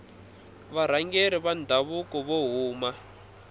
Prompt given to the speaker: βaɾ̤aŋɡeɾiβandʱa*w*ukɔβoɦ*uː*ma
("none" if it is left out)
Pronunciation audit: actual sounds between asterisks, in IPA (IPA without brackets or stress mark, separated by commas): β, uː